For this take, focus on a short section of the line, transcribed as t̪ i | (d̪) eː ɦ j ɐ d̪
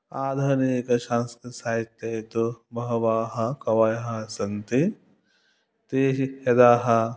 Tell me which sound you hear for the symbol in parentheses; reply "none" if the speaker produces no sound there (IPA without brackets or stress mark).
t̪